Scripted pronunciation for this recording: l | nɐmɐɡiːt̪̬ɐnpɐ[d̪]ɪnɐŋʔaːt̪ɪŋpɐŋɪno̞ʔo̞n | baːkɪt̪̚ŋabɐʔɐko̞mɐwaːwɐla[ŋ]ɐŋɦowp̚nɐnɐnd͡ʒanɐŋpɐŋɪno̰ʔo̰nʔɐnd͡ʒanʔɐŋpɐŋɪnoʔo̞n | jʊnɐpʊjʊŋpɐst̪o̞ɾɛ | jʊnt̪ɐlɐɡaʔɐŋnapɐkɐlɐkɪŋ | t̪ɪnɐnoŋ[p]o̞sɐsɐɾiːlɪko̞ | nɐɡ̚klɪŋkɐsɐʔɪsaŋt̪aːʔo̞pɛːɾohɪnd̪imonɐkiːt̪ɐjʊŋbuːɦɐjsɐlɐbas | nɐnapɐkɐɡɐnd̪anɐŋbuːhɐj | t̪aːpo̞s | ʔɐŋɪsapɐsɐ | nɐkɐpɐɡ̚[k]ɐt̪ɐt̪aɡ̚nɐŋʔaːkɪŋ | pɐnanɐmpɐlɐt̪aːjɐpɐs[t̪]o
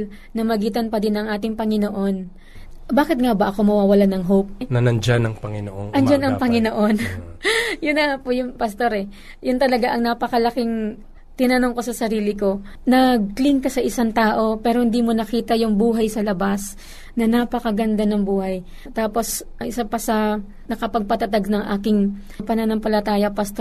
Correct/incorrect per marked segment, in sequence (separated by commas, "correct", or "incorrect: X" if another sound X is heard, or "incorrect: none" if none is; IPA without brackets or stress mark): correct, incorrect: n, incorrect: k, incorrect: p, correct